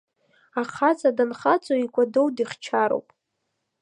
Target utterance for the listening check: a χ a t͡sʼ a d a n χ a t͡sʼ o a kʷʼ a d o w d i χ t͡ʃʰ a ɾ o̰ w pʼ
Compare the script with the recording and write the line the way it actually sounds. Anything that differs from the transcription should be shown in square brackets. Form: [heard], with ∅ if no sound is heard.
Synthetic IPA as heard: a χ a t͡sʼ a d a n χ a t͡sʼ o [i] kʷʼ a d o w d i χ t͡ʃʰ a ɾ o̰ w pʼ